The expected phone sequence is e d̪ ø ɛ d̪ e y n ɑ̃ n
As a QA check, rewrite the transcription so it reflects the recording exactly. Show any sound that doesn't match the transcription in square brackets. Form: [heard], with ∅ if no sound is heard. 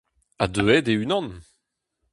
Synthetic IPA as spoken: [a] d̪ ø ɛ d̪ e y n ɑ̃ n